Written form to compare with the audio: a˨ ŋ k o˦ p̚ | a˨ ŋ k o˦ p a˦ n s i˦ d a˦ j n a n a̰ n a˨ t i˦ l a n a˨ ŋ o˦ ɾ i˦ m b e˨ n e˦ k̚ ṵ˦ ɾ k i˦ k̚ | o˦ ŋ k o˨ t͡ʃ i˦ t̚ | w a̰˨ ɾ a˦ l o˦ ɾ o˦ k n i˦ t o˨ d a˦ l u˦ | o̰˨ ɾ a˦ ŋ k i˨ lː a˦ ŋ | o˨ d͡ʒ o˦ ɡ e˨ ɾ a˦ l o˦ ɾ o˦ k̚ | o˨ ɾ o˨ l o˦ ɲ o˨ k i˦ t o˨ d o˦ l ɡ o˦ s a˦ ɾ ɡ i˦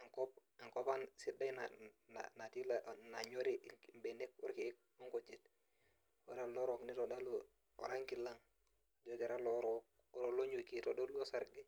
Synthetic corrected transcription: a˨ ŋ k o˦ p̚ | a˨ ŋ k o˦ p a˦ n s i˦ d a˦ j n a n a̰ n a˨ t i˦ l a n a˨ ɲ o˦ ɾ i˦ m b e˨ n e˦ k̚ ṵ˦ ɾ k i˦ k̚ | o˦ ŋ k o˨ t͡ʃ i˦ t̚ | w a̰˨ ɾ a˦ l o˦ ɾ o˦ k n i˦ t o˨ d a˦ l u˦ | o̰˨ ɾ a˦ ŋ k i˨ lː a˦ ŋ | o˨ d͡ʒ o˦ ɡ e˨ ɾ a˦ l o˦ ɾ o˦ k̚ | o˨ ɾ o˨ l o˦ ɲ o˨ k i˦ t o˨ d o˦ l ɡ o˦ s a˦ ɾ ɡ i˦